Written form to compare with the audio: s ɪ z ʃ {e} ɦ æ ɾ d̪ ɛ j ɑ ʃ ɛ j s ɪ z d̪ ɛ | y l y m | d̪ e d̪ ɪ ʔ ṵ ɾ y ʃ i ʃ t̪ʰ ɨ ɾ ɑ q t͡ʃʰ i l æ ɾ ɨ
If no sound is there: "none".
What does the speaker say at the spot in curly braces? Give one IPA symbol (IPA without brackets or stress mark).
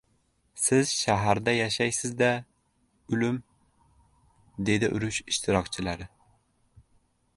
æ